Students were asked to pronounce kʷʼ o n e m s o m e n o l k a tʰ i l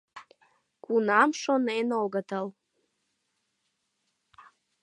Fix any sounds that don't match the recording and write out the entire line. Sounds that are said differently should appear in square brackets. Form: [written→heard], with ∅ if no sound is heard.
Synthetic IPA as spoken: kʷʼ [o→u] n [e→a] m [s→ʂ] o [m→n] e n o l [k→ɡ] a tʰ [i→a] l